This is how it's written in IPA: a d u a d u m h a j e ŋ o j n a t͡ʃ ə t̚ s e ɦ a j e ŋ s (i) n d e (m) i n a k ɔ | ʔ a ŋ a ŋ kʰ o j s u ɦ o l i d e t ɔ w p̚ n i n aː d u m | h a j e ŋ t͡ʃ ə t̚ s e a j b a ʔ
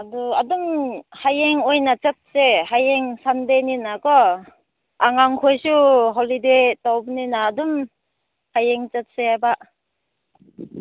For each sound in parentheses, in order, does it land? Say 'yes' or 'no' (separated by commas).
no, no